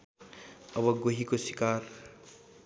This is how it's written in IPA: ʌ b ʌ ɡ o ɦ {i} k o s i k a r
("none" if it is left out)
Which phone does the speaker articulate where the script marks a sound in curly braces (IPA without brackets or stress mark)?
i